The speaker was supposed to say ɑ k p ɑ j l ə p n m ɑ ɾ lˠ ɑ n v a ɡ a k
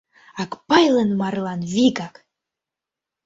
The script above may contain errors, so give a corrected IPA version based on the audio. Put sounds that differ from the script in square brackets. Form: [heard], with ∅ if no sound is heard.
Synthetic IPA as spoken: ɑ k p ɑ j l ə [∅] n m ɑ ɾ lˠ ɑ n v [i] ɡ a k